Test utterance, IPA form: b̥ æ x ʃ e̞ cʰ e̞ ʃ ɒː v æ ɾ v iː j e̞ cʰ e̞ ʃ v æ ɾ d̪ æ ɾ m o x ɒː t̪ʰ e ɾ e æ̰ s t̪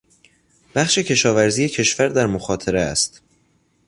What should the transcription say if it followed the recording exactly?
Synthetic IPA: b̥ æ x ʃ e̞ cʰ e̞ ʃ ɒː v æ ɾ z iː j e̞ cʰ e̞ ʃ v æ ɾ d̪ æ ɾ m o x ɒː t̪ʰ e ɾ e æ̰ s t̪